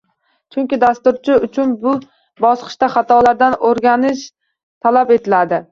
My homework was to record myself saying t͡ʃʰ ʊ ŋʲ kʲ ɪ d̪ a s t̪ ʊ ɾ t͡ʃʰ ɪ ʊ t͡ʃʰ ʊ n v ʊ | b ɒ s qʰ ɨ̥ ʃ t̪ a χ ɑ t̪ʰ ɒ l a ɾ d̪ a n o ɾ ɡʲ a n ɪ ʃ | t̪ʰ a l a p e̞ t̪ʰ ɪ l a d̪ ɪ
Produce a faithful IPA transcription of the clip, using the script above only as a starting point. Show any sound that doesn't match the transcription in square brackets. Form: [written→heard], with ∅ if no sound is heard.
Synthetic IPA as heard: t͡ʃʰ ʊ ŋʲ kʲ ɪ d̪ a s t̪ ʊ ɾ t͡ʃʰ ɪ ʊ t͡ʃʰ ʊ n [v→b] ʊ | b ɒ s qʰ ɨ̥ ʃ t̪ a χ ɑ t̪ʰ ɒ l a ɾ d̪ a n o ɾ ɡʲ a n ɪ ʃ | t̪ʰ a l a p e̞ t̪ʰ ɪ l a d̪ ɪ